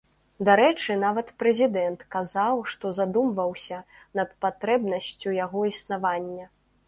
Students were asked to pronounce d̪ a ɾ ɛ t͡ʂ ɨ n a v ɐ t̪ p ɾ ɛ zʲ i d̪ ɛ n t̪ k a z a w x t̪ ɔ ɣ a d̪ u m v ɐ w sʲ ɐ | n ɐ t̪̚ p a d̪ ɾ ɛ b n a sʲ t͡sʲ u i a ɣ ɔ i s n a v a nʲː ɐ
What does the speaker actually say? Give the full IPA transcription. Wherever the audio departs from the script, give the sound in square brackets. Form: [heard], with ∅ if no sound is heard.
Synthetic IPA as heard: d̪ a ɾ ɛ t͡ʂ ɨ n a v ɐ t̪ p ɾ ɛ zʲ i d̪ ɛ n t̪ k a z a w [ʂ] t̪ ɔ [z] a d̪ u m v ɐ w sʲ ɐ | n ɐ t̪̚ p a [t̪] ɾ ɛ b n [ɐ] sʲ t͡sʲ u [j] a ɣ ɔ i s n a v a nʲː ɐ